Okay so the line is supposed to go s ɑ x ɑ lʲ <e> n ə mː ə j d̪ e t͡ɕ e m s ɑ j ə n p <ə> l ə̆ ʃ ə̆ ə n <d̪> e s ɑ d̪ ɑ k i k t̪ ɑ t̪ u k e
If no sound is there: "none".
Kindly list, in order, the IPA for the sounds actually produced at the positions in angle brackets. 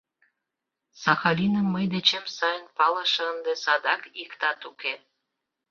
i, ɑ, d̪

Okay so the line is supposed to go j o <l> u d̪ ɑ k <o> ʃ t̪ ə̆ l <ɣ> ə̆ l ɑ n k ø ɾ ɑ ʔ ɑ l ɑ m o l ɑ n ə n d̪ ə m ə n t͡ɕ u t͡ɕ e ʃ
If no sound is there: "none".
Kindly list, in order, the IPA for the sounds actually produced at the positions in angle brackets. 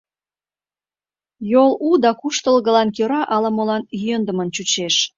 l, u, ɣ

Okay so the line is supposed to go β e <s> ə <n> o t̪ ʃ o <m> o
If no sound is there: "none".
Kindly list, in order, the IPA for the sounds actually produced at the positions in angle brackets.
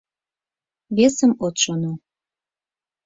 s, m, n

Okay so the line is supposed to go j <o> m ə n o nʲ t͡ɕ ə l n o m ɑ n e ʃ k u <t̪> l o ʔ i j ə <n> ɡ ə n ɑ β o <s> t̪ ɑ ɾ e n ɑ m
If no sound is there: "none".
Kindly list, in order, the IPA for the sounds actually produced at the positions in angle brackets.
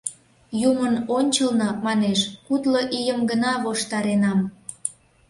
u, t̪, m, ʃ

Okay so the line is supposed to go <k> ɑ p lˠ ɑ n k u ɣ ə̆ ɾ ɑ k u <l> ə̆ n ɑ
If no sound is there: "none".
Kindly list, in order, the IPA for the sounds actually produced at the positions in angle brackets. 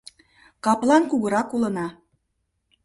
k, l

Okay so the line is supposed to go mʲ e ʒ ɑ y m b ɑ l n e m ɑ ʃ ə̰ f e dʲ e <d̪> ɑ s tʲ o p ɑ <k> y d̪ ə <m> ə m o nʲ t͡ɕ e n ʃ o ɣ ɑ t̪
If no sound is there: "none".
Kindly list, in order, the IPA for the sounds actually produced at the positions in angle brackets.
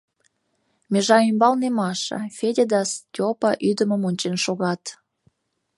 d̪, ʔ, m

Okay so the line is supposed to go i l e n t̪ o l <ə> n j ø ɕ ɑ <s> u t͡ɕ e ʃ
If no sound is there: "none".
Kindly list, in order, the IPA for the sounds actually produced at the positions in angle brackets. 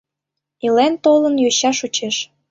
ə, ʃ

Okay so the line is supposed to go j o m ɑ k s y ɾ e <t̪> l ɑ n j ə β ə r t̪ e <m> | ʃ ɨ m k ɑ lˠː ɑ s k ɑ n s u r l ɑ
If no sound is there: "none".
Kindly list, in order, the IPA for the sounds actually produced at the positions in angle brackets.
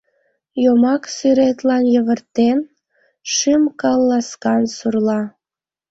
t̪, n

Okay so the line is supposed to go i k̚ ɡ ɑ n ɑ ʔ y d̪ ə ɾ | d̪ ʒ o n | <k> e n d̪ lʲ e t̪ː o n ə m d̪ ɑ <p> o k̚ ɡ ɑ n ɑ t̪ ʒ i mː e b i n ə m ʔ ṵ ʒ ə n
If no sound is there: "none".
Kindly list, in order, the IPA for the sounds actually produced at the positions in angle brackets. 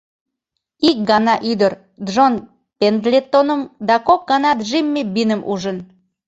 p, k

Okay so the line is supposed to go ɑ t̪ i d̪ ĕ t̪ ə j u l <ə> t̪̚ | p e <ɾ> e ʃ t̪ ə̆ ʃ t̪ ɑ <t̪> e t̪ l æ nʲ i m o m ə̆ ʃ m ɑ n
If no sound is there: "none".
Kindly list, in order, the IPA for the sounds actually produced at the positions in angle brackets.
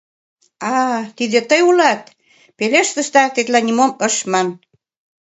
ɑ, l, t̪

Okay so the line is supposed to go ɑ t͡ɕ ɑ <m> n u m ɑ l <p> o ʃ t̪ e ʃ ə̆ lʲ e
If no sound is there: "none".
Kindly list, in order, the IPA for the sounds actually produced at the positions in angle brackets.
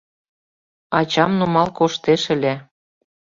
m, k

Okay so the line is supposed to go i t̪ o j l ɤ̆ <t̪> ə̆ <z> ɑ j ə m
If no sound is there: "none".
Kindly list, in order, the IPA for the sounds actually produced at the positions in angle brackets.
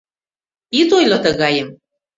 t̪, ɣ

